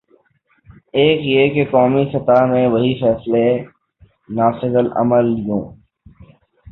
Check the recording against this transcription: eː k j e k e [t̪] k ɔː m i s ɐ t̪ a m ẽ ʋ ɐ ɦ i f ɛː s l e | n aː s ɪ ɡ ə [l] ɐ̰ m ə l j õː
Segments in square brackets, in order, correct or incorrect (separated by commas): incorrect, correct